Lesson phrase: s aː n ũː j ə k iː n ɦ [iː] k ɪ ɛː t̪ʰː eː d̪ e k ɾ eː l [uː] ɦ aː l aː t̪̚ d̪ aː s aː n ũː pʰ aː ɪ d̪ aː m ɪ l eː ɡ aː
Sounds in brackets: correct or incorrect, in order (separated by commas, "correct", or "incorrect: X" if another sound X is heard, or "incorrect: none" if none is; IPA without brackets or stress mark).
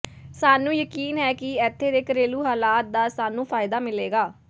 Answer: incorrect: ɛː, correct